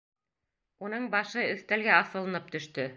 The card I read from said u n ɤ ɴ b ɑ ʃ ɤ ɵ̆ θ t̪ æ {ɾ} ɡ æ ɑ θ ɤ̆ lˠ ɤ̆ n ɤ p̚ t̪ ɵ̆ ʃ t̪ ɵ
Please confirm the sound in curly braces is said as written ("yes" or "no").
no